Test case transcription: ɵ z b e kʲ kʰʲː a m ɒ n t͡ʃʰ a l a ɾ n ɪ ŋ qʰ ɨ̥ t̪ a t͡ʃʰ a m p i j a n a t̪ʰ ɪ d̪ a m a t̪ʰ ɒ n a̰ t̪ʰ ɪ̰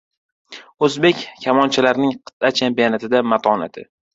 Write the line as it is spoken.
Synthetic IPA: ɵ z b e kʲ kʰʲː a m ɒ n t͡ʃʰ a l a ɾ n ɪ ŋ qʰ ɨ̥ t̪ a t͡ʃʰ a m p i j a n a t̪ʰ ɪ d̪ a m a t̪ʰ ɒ n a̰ t̪ʰ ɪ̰

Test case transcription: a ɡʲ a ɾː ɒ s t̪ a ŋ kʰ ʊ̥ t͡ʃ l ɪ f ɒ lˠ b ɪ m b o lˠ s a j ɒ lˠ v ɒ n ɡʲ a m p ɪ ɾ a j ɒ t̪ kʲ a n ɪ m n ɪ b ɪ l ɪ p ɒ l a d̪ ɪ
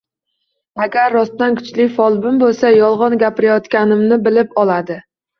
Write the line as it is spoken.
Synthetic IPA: a ɡʲ a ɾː ɒ s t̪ a n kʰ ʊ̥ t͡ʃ l ɪ f ɒ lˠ b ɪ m b o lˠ s a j ɒ lˠ ʁ ɒ n ɡʲ a p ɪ ɾ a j ɒ t̪ kʲ a n ɪ m n ɪ b ɪ l ɪ p ɒ l a d̪ ɪ

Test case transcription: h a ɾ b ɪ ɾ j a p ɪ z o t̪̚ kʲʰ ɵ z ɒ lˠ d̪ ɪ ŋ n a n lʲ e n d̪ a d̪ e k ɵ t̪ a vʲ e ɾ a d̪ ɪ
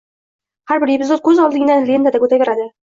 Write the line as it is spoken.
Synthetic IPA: h a ɾ b ɪ ɾ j e p ɪ z o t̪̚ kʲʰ ɵ z ɒ lˠ d̪ ɪ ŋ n a n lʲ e n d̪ a d̪ a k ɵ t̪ a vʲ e ɾ a d̪ ɪ

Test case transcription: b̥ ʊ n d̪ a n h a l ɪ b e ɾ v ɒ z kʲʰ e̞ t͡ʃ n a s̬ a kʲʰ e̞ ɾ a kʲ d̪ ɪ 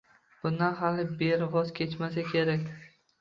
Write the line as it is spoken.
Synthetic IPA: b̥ ʊ n d̪ a n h a l ɪ b e ɾ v ɒ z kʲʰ e̞ t͡ʃ m a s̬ a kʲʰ e̞ ɾ a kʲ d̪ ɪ

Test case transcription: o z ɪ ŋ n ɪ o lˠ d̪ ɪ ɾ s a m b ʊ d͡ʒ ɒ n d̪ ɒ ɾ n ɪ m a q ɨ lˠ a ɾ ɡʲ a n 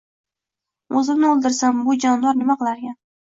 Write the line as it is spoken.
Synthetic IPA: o z ɪ m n ɪ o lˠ d̪ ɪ ɾ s a m b ʊ d͡ʒ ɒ n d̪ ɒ ɾ n ɪ m a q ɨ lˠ a ɾ ɡʲ a n

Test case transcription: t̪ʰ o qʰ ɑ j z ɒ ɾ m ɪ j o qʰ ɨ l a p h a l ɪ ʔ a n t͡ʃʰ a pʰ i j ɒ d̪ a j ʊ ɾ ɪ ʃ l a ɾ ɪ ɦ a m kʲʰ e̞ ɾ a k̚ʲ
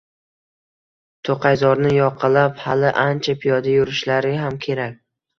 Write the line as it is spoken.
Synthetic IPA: t̪ʰ o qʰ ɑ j z ɒ ɾ n ɪ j ɒ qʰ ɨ l a p h a l ɪ ʔ a n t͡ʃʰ a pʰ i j ɒ d̪ a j ʊ ɾ ɪ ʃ l a ɾ ɪ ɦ a m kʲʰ e̞ ɾ a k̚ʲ

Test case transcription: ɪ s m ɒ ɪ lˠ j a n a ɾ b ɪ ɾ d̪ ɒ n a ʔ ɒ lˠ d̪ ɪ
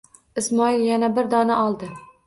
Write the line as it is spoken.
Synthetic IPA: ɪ s m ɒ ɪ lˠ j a n a b ɪ ɾ d̪ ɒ n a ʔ ɒ lˠ d̪ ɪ

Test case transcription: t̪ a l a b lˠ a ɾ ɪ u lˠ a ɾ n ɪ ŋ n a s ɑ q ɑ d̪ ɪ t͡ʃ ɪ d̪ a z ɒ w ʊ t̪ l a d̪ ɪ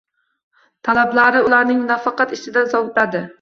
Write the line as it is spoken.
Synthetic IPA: t̪ʰ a l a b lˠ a ɾ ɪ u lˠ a ɾ n ɪ ŋ n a f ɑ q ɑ t̪ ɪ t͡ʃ ɪ d̪ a z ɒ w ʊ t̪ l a d̪ ɪ

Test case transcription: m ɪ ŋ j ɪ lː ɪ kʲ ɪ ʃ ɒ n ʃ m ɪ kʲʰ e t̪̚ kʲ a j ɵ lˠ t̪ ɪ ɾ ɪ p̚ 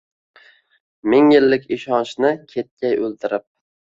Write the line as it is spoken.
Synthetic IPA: m ɪ ŋ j ɪ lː ɪ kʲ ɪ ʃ ɒ n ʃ n ɪ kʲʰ e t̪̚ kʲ a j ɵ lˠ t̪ ɪ ɾ ɪ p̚

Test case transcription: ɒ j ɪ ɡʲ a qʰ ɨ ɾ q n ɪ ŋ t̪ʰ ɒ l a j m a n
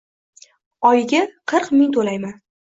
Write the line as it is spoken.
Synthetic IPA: ɒ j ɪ ɡʲ a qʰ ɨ ɾ q m ɪ ŋ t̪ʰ o l a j m a n

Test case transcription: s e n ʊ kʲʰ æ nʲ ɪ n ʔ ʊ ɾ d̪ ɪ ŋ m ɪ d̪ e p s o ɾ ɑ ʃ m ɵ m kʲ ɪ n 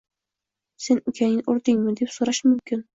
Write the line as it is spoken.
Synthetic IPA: s e n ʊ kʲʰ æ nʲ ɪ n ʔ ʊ ɾ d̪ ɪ ŋ m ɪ d̪ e p s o ɾ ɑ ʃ m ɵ m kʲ ɪ n

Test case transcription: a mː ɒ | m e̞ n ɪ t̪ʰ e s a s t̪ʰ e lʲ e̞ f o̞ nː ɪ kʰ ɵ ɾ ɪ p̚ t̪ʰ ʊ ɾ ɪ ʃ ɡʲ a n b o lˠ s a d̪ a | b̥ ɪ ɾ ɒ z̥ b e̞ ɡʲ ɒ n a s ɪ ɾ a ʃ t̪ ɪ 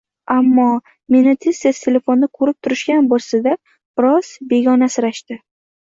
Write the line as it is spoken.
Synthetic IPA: a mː ɒ | m e̞ n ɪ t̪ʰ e s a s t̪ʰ e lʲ e̞ f o̞ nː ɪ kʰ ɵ ɾ ɪ p̚ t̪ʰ ʊ ɾ ɪ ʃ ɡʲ a n b o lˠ s a d̪ a | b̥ ɪ ɾ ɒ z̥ b e̞ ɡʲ ɒ n a s ɪ ɾ a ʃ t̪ ɪ

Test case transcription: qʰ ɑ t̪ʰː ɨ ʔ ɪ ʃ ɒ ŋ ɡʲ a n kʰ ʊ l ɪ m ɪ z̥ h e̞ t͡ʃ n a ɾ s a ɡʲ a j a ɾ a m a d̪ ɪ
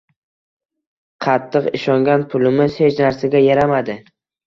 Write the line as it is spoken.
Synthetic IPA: qʰ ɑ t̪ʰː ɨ q ɪ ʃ ɒ ŋ ɡʲ a n pʰ ʊ l ɪ m ɪ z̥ h e̞ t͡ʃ n a ɾ s a ɡʲ a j a ɾ a m a d̪ ɪ

